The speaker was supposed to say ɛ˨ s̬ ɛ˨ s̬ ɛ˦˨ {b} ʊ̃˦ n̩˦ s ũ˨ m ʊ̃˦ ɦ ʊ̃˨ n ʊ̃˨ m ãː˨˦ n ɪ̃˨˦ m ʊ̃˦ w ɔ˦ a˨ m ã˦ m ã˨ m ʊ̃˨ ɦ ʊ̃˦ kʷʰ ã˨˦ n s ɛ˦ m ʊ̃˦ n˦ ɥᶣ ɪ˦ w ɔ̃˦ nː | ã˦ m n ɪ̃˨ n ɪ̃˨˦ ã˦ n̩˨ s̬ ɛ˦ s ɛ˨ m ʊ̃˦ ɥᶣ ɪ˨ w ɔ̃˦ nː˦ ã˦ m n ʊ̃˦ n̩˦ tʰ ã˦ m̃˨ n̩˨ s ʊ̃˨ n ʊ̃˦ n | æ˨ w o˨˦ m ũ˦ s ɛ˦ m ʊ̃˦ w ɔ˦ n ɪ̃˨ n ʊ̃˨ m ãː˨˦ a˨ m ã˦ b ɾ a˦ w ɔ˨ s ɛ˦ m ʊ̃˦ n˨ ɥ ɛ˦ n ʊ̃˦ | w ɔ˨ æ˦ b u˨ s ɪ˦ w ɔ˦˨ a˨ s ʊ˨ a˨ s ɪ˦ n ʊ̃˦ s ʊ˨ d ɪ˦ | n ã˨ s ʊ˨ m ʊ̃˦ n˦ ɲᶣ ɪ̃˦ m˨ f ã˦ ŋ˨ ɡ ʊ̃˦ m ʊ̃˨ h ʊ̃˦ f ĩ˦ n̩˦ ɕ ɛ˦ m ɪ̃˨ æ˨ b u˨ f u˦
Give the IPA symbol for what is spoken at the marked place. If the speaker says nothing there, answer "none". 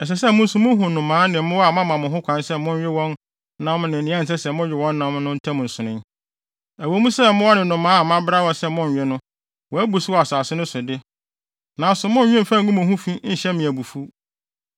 m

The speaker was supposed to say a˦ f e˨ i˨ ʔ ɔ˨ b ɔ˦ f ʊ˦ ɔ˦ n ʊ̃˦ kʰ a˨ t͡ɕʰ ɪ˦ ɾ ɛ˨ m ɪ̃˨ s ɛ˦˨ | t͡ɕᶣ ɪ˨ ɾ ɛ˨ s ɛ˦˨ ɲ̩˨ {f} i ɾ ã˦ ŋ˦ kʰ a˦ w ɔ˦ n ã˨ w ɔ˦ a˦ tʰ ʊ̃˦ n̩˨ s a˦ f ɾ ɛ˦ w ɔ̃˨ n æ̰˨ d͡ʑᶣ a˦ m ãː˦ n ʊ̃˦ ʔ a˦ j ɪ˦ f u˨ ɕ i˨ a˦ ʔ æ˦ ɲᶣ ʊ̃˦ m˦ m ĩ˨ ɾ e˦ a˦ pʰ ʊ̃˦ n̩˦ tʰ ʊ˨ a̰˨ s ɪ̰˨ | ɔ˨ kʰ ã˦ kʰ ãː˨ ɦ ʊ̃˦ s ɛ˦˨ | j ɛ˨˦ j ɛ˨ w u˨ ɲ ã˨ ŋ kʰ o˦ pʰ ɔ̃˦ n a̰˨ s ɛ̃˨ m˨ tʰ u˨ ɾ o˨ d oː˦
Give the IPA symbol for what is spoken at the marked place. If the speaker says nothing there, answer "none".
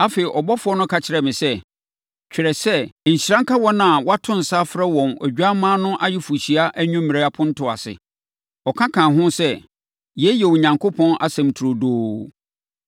ɕ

